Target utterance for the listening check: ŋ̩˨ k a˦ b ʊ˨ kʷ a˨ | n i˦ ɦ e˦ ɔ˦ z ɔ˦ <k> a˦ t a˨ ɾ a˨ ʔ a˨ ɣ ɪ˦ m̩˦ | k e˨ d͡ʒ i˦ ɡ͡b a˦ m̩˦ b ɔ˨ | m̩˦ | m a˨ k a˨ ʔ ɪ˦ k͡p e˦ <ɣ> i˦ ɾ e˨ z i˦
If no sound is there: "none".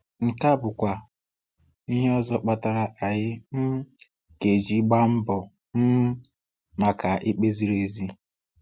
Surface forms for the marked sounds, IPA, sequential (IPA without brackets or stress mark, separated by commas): k͡p, z